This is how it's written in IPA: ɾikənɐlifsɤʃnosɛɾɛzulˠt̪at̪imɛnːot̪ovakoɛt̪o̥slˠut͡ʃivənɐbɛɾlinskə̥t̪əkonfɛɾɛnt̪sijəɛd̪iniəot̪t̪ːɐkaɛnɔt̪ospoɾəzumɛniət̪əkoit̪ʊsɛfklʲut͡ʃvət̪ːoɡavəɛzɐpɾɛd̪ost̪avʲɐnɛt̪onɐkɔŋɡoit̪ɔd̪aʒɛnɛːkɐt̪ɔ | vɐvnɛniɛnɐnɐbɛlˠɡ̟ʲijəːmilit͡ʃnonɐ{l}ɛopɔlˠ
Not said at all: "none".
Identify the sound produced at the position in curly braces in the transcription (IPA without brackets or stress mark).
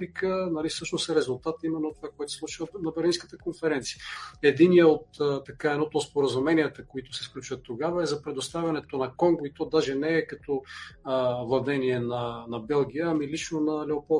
l